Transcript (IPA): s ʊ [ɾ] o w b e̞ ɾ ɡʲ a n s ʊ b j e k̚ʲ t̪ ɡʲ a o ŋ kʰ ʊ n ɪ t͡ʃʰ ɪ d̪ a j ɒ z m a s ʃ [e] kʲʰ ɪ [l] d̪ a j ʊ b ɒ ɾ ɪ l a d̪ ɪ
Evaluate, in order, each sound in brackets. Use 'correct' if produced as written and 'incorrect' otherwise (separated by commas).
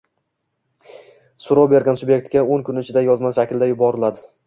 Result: correct, incorrect, correct